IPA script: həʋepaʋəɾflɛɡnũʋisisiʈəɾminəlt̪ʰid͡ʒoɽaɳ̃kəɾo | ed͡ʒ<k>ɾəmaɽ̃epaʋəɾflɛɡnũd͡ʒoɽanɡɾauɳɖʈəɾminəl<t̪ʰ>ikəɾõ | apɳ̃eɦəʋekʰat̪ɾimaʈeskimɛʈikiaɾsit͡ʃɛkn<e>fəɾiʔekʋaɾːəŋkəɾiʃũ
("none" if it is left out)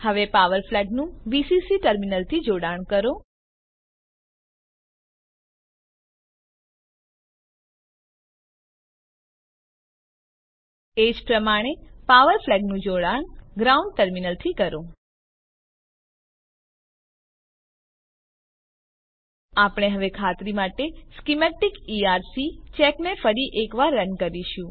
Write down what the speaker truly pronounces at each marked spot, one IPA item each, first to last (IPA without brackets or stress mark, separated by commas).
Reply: p, t̪ʰ, e